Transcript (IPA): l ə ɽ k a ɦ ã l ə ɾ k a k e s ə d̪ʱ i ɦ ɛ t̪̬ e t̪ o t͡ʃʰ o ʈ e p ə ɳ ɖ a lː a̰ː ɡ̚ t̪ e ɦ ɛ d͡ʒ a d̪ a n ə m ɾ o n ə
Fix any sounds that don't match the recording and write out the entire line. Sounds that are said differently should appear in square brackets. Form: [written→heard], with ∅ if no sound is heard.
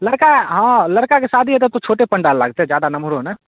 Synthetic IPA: l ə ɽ k a ɦ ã l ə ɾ k a k e s [ə→a] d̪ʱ i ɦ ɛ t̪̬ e t̪ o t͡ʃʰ o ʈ e p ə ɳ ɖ a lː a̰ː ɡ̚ t̪ e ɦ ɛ d͡ʒ a d̪ a n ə m ɾ o n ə